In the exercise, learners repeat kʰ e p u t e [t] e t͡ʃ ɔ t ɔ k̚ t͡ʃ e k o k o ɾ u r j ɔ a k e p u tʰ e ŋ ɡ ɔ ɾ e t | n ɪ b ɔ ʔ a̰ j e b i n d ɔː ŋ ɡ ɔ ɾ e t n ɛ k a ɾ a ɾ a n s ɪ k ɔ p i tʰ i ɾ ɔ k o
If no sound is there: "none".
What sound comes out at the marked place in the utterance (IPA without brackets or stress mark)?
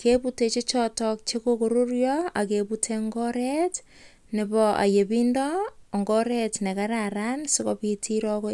t͡ʃ